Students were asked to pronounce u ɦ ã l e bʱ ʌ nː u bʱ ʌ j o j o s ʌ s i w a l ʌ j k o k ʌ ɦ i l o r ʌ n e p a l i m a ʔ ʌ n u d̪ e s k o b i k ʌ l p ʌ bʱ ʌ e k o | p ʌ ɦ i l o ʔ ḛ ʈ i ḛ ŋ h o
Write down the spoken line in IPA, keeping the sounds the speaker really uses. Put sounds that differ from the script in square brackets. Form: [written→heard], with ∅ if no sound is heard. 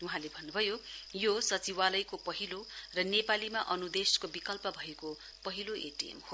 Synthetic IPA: u ɦ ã l e bʱ ʌ nː u bʱ ʌ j o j o s ʌ [s→t͡s] i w a l ʌ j k o [k→p] ʌ ɦ i l o r ʌ n e p a l i m a ʔ ʌ n u d̪ e s k o b i k ʌ l p ʌ bʱ ʌ e k o | p ʌ ɦ i l o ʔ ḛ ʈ i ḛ [ŋ→m] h o